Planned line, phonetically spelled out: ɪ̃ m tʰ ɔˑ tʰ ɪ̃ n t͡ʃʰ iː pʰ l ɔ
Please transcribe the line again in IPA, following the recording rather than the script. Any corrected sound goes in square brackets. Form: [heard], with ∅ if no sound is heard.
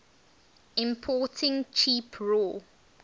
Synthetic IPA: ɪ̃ m [pʰ] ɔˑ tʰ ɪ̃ [ŋ] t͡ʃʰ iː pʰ [ɹ] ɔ